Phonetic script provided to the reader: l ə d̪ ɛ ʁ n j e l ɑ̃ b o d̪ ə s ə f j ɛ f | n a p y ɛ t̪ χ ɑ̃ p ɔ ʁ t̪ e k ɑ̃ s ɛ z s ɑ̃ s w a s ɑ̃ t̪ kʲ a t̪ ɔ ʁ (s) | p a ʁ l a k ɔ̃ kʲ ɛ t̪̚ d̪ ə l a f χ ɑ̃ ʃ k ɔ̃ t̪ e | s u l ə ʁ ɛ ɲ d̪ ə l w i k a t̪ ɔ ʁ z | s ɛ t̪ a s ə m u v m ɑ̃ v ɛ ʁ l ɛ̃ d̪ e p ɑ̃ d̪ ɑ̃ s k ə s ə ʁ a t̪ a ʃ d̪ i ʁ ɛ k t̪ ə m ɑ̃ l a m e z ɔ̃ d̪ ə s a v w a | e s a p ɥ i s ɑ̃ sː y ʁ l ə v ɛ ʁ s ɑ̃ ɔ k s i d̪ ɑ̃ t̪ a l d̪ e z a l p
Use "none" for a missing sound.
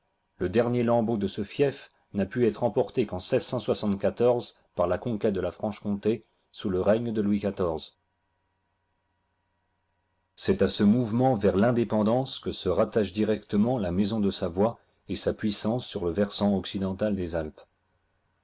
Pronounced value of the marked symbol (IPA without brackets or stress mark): z